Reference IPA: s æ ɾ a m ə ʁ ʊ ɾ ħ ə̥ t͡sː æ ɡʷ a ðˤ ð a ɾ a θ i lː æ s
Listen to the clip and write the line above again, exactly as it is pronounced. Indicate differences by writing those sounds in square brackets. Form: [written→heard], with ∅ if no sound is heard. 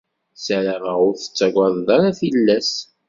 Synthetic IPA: s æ ɾ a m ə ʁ ʊ ɾ [ħ→θ] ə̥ t͡sː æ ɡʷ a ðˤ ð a ɾ a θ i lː æ s